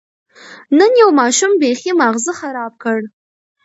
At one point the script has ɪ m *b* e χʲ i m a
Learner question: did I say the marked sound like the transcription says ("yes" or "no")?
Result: yes